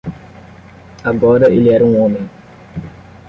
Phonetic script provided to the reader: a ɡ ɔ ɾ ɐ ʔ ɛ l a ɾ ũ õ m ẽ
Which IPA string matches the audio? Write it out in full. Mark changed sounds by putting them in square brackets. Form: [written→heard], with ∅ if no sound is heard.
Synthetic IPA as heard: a ɡ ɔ ɾ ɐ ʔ [ɛ→e] l [a→ɛ] ɾ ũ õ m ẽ